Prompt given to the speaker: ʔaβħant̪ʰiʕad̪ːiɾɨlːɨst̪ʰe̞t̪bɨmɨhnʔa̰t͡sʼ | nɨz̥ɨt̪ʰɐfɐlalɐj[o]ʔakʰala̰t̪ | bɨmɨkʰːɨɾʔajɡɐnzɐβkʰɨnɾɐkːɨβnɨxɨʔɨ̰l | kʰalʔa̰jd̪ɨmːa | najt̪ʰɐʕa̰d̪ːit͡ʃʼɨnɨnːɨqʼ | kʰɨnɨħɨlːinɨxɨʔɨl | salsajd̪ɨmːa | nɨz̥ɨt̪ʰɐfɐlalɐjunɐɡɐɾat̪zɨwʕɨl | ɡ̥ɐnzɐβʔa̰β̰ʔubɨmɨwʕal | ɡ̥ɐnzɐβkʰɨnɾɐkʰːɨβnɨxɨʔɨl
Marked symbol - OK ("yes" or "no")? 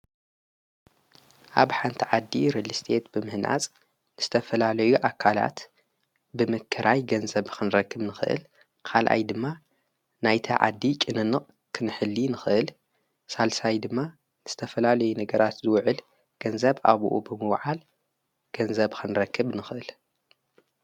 no